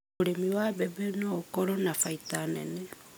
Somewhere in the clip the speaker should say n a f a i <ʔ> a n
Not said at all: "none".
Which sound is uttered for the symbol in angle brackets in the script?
t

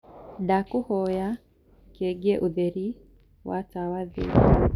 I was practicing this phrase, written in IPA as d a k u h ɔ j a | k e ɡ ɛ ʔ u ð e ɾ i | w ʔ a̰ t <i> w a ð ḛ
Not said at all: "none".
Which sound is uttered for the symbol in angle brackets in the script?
a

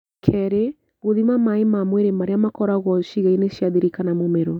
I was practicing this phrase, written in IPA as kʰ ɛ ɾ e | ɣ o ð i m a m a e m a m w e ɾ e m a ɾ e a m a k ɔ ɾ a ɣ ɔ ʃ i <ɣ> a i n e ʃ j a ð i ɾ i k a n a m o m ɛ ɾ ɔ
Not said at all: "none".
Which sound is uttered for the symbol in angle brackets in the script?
ɣ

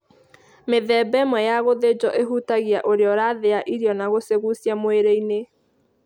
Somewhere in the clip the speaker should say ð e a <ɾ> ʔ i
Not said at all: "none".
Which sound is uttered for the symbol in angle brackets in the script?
none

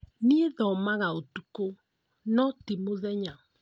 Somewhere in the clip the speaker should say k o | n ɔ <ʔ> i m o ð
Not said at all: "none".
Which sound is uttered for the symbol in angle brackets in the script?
t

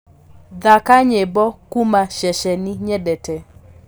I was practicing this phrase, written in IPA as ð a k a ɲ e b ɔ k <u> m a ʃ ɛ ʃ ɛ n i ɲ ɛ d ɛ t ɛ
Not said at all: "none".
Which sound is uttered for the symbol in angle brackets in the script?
u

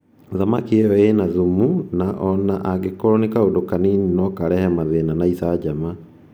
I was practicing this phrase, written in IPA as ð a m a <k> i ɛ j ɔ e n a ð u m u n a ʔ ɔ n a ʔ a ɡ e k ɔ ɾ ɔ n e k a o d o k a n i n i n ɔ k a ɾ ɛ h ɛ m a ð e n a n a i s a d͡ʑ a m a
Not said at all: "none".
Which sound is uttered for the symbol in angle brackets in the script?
k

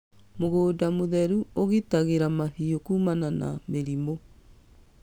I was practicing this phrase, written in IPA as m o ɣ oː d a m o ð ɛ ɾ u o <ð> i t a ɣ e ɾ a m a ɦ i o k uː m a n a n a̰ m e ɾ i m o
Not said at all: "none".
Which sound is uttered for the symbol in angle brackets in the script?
ɣ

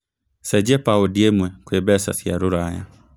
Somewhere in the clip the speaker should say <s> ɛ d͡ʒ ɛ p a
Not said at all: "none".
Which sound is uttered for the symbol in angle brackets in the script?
s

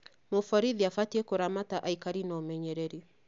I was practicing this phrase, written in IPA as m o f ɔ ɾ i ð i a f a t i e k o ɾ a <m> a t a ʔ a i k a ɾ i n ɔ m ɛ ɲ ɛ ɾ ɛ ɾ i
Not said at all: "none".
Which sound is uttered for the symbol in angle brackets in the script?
m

